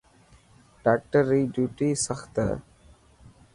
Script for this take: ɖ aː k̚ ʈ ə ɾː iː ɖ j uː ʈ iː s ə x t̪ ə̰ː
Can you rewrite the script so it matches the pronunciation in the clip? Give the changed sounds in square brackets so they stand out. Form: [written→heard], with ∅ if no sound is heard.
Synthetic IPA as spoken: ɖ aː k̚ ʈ ə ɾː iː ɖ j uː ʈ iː s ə x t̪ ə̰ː